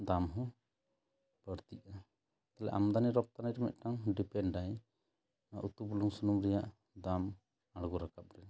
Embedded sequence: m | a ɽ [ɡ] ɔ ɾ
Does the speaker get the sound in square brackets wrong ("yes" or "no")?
no